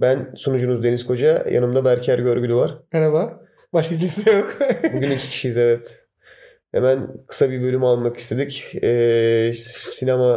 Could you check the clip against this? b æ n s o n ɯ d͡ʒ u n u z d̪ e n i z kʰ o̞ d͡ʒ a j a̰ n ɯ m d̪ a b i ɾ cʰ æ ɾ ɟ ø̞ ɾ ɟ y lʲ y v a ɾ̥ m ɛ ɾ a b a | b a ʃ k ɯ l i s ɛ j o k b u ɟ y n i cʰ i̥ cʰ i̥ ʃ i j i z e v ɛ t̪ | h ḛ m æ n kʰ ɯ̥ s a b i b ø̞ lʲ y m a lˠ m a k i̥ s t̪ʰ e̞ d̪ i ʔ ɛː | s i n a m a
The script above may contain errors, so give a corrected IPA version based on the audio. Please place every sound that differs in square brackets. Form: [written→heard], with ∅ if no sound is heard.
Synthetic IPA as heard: b æ n s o n [ɯ→u] d͡ʒ u n u z d̪ e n i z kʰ o̞ d͡ʒ a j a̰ n ɯ m d̪ a b [i→æ] ɾ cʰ æ ɾ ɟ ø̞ ɾ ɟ y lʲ y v a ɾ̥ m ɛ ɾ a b a | b a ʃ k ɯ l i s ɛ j o k b u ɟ y n i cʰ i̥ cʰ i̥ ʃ i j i z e v ɛ t̪ | h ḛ m æ n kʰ ɯ̥ s a b i b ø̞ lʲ y m a lˠ m a k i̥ s t̪ʰ e̞ d̪ i [ʔ→c] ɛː | s i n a m a